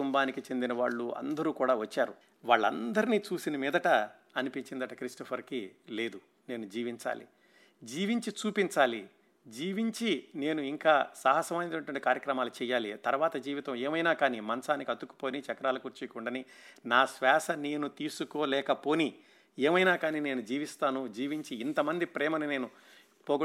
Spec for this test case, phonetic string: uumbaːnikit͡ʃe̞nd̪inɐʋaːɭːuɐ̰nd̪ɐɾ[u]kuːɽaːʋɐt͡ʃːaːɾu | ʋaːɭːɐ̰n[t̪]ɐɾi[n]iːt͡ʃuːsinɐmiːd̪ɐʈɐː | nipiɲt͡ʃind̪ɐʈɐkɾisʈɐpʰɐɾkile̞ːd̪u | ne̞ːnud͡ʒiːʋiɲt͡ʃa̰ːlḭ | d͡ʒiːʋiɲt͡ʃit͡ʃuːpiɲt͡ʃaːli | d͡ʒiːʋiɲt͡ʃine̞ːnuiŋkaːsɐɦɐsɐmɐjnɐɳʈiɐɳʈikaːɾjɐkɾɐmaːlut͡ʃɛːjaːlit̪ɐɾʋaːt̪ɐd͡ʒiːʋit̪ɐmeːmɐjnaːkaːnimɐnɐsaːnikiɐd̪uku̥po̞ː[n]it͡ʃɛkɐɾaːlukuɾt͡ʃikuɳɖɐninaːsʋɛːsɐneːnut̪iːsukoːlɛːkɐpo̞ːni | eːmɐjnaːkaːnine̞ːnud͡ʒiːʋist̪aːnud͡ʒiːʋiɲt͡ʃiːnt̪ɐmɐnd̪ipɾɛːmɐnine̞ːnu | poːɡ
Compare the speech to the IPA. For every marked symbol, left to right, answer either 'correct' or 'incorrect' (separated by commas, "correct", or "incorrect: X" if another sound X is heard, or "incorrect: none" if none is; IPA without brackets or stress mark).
incorrect: uː, incorrect: d̪, correct, correct